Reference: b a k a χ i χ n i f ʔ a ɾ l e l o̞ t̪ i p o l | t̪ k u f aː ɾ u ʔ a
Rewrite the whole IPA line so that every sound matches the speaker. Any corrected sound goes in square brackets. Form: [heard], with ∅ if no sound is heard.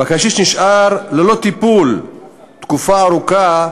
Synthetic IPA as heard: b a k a [ʃ] i [ʃ] n i [ʃ] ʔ a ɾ l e l o̞ t̪ i p [u] l | t̪ k u f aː ɾ u [k] a